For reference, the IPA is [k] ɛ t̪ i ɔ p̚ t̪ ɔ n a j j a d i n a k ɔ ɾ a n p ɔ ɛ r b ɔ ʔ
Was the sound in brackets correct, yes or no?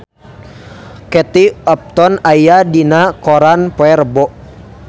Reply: yes